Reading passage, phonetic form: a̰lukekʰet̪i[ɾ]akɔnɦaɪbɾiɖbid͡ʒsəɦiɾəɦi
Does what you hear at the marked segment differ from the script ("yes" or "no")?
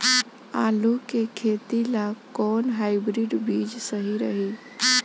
yes